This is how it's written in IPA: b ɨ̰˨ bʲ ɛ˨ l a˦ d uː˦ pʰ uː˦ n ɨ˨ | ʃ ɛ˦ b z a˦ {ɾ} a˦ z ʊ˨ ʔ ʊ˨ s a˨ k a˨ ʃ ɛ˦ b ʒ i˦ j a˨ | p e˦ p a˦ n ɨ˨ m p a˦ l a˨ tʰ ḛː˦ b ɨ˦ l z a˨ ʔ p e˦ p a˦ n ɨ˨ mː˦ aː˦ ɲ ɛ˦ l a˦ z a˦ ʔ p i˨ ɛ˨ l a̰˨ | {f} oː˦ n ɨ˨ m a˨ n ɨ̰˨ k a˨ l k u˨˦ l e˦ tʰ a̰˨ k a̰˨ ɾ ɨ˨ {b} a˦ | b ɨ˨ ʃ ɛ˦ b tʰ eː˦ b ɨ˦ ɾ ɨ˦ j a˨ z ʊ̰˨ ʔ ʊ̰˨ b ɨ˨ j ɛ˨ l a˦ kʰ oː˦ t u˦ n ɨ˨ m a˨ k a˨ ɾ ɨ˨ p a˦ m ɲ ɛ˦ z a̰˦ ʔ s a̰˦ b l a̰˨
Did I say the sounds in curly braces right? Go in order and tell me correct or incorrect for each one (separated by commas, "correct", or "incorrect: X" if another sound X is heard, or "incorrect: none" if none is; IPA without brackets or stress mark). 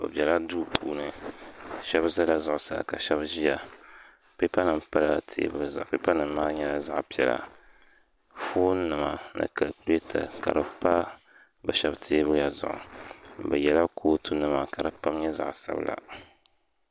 incorrect: l, correct, incorrect: p